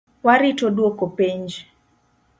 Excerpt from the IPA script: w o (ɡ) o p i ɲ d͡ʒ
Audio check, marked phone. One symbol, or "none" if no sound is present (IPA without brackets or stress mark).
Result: k